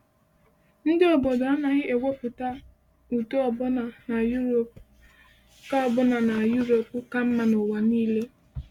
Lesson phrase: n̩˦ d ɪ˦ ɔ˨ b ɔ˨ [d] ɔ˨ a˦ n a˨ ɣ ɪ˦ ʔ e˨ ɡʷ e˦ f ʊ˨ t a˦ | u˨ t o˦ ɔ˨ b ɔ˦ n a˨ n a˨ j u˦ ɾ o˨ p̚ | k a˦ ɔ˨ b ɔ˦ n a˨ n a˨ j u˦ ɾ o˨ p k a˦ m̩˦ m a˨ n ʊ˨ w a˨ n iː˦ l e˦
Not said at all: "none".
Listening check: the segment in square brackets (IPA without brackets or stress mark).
d